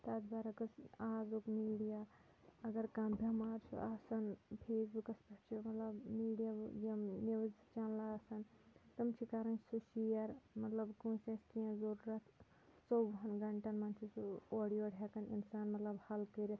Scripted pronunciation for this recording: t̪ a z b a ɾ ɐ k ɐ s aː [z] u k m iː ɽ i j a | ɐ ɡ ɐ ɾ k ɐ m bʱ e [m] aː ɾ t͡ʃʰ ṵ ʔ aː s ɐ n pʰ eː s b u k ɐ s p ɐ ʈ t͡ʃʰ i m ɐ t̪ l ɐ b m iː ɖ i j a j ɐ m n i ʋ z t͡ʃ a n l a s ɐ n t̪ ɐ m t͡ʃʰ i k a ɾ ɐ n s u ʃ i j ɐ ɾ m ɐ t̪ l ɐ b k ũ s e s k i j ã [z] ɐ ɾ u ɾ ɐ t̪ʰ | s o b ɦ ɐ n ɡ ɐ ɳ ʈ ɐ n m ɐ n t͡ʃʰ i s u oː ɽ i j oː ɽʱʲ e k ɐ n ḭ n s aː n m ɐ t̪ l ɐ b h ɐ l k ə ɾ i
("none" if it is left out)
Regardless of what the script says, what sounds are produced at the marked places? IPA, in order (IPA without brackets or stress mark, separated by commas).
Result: z, m, z